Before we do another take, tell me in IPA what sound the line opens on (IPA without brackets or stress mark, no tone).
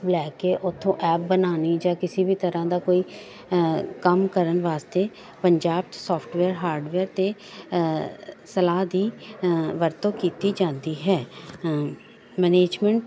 b